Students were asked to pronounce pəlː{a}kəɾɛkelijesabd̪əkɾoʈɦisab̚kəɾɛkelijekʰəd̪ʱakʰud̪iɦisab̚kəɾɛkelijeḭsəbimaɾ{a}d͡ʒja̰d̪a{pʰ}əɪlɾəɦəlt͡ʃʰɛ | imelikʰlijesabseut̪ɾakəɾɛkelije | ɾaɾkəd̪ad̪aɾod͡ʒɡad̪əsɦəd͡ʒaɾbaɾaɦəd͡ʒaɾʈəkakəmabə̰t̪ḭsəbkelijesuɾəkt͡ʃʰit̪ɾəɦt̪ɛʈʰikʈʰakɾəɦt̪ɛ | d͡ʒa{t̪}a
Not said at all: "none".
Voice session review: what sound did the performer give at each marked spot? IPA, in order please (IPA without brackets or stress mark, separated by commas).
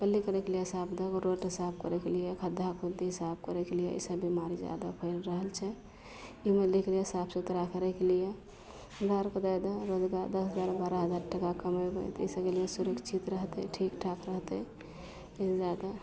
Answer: i, i, pʰ, d̪